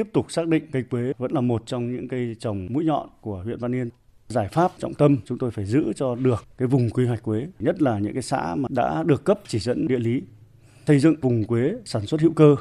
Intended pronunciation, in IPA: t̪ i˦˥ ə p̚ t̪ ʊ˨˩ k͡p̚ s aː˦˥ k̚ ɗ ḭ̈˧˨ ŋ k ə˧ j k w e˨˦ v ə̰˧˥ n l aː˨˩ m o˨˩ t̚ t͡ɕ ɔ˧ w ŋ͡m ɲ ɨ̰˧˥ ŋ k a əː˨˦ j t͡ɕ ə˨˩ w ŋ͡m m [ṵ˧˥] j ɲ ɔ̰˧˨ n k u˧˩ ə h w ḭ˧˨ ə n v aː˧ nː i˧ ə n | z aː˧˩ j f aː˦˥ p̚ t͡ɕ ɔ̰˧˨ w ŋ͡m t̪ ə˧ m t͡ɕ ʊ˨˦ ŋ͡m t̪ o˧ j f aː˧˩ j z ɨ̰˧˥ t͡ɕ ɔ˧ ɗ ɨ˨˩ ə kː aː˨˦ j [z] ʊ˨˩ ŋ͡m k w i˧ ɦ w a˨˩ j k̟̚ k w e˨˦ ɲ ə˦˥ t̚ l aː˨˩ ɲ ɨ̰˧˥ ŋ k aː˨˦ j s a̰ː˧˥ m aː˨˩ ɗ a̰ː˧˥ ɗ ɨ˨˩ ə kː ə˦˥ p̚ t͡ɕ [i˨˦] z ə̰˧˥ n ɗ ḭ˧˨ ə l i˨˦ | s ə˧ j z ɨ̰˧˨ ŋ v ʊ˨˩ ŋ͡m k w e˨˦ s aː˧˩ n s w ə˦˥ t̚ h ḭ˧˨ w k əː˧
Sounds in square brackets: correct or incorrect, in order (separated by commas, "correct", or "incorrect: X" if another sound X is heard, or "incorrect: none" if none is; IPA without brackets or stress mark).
correct, incorrect: v, incorrect: i˧˩